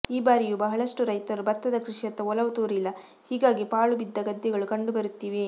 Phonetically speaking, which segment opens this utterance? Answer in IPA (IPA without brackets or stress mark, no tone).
iː